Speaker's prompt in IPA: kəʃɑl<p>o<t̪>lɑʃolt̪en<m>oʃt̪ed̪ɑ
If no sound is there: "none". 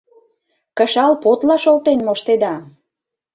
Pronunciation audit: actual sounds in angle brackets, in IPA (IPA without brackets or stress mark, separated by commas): p, t̪, m